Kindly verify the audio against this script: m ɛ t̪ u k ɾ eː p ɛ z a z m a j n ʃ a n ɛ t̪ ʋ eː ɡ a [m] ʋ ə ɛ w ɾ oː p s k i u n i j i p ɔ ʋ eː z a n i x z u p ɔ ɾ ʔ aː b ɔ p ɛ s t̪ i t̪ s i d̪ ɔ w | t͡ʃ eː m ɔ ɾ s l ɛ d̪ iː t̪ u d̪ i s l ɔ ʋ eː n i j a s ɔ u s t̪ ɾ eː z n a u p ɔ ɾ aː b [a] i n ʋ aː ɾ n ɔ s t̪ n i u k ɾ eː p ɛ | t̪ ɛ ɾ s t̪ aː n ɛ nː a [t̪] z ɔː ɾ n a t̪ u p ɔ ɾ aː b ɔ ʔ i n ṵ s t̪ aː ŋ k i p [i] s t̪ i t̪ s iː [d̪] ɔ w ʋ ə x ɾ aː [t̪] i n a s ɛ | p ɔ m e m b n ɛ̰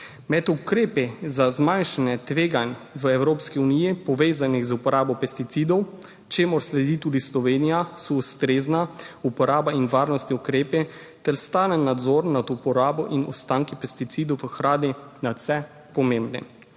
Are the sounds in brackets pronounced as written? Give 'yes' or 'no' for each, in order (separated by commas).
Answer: no, yes, no, no, yes, no